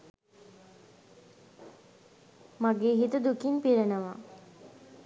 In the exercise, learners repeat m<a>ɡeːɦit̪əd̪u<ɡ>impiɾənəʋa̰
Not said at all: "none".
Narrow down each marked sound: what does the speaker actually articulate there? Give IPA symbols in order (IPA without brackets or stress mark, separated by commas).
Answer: a, k